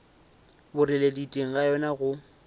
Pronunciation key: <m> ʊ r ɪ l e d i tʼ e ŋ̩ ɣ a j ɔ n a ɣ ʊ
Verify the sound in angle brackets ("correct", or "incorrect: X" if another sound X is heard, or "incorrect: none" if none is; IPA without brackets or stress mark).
incorrect: b